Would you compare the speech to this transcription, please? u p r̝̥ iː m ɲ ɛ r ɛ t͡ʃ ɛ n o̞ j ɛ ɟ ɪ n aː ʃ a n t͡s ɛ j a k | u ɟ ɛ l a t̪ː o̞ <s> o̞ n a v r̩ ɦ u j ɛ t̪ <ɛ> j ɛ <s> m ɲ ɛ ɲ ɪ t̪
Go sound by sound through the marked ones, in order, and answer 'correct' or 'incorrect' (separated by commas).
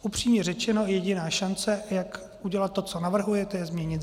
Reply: incorrect, correct, incorrect